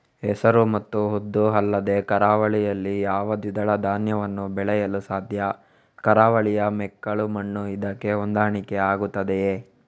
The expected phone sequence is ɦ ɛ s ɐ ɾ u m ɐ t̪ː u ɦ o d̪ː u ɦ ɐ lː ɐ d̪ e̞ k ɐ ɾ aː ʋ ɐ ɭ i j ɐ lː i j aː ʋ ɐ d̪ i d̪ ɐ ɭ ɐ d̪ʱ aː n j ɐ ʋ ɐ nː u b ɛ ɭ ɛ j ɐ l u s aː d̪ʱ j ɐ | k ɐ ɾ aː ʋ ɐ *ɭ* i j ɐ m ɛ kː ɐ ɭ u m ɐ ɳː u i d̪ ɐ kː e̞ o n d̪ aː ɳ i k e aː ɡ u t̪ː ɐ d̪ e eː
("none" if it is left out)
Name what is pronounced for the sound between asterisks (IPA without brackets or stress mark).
ɭ